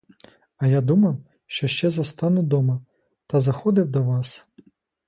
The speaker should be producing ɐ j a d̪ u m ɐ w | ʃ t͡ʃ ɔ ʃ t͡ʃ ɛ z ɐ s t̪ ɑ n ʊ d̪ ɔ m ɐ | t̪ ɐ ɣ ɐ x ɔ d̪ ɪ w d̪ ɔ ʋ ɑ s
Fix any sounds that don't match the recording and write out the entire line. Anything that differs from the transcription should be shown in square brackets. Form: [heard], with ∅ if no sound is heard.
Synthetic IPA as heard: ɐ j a d̪ u m ɐ w | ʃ t͡ʃ ɔ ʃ t͡ʃ ɛ z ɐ s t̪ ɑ n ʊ d̪ ɔ m ɐ | t̪ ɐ [z] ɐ x ɔ d̪ ɪ w d̪ ɔ ʋ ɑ s